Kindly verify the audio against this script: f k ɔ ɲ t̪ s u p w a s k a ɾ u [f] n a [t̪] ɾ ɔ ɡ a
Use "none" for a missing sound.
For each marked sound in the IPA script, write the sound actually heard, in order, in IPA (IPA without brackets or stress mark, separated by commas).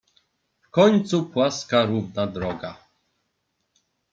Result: v, d̪